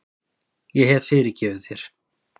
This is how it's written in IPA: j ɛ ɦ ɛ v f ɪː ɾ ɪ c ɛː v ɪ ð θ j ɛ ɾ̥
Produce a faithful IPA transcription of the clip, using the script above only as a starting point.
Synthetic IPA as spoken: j ɛ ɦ ɛ v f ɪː ɾ ɪ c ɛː v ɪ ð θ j ɛ ɾ̥